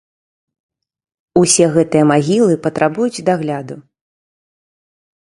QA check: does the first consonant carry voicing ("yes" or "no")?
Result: no